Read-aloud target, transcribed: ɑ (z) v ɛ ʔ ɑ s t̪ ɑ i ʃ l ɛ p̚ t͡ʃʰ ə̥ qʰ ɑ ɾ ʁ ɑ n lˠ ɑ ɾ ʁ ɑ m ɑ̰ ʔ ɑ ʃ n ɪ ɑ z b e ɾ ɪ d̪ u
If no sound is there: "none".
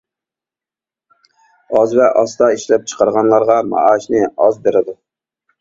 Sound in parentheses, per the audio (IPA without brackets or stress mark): z